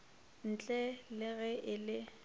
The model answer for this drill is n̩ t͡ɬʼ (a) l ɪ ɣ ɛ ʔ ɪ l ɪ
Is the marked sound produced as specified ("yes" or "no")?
no